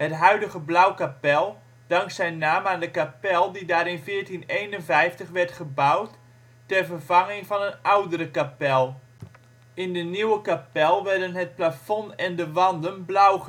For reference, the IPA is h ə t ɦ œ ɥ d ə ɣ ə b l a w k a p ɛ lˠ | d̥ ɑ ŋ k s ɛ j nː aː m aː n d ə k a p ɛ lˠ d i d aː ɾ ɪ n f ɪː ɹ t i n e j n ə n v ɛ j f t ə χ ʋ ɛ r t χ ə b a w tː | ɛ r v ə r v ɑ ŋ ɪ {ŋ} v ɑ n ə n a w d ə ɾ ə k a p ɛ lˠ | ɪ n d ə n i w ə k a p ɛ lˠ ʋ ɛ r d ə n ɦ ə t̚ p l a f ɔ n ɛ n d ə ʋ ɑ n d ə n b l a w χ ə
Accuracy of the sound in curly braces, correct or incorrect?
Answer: correct